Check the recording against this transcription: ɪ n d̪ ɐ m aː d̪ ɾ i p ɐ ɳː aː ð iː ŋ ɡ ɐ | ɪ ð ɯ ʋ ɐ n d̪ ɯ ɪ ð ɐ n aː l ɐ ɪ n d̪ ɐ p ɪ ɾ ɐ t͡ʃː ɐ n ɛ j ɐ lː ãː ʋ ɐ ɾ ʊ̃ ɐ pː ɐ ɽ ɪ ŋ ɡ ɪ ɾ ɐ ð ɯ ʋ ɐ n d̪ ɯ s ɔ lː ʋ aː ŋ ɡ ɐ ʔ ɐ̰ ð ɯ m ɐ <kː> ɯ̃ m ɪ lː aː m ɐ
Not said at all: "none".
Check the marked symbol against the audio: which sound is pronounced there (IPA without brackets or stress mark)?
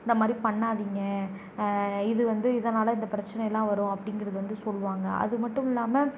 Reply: ʈː